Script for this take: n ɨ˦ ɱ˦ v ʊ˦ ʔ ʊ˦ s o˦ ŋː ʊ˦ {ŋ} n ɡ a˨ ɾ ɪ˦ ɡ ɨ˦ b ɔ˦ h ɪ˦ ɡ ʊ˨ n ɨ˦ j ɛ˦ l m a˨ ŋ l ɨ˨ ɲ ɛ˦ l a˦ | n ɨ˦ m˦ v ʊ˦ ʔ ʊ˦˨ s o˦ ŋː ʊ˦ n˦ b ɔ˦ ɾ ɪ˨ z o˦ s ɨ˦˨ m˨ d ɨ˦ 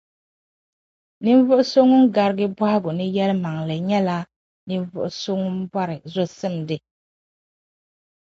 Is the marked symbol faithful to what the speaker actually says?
no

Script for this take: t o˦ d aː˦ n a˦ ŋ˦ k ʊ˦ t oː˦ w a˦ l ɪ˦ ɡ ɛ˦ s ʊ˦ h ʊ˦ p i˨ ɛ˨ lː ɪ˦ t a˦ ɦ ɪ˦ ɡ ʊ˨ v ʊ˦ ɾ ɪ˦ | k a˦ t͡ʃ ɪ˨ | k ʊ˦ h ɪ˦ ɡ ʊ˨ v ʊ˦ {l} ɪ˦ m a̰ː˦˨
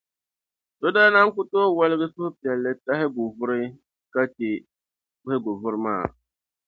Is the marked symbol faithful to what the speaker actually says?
no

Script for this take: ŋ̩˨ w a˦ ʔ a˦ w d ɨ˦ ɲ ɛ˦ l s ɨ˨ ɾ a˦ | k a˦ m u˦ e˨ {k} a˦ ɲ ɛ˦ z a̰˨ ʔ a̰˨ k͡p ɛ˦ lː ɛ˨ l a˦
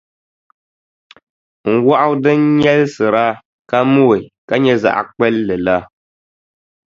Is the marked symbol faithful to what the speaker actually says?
yes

